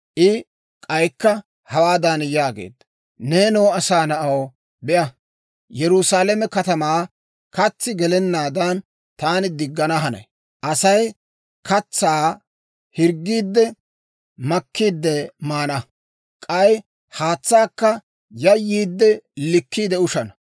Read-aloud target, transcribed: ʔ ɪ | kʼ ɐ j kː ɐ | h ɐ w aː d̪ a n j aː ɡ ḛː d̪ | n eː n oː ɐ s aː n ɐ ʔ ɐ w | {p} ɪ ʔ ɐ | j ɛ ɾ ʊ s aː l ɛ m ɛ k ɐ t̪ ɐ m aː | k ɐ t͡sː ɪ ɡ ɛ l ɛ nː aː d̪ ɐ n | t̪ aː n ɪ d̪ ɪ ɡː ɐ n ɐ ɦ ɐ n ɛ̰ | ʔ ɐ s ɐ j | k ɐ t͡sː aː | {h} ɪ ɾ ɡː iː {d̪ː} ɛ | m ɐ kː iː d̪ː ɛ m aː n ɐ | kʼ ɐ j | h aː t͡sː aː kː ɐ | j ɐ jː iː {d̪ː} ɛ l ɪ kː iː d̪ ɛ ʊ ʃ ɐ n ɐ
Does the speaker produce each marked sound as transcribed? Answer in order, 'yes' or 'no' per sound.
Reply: no, yes, yes, yes

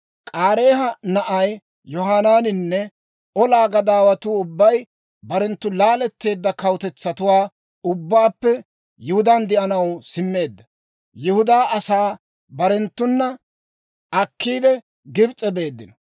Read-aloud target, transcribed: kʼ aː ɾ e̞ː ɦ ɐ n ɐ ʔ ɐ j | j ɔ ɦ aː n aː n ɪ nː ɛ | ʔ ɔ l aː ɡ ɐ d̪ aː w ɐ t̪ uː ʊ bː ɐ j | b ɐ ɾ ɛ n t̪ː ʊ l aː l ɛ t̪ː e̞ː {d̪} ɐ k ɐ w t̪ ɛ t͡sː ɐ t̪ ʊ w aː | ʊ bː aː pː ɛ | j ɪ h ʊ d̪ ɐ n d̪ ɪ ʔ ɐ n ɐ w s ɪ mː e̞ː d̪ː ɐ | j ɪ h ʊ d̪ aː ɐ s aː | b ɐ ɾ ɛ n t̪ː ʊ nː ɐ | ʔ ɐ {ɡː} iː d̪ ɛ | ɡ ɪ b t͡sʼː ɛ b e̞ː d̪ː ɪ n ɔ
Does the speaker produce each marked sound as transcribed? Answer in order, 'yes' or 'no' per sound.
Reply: no, no

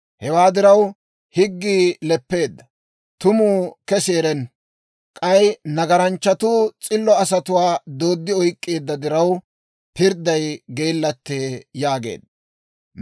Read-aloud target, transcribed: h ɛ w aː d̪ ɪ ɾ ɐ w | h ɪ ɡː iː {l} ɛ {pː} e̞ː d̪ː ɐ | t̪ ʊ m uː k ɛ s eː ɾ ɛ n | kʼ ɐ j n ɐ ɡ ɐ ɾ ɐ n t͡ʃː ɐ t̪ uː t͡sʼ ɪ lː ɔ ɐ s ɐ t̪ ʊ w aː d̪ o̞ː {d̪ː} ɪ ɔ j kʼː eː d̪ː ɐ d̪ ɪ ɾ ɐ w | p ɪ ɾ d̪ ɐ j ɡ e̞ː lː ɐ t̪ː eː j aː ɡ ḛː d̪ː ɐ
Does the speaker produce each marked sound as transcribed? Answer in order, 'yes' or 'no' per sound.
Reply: yes, yes, yes

